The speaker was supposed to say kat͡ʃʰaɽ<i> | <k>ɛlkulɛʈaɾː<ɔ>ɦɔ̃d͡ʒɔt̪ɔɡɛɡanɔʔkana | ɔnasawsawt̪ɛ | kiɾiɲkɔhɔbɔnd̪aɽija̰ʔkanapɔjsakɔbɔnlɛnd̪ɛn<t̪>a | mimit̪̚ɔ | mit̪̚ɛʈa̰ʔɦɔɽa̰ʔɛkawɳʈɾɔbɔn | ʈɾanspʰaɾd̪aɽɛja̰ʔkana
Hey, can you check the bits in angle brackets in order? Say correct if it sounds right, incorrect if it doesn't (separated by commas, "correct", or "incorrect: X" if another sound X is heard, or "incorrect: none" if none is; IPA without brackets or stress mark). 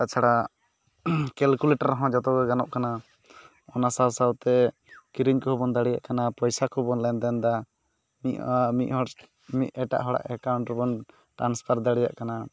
incorrect: a, correct, correct, incorrect: d̪